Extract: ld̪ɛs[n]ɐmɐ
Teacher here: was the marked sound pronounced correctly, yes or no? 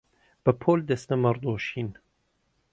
yes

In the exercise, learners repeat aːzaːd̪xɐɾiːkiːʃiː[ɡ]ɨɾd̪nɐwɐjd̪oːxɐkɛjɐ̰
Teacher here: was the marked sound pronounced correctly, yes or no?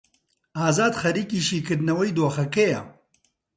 no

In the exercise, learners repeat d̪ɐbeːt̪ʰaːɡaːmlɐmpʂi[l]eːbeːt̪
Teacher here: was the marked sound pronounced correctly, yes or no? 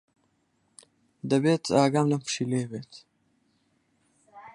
yes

